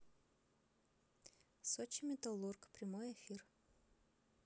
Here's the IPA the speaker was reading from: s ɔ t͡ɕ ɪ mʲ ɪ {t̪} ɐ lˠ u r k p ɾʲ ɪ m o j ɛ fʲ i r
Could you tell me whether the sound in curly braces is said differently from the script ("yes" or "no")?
no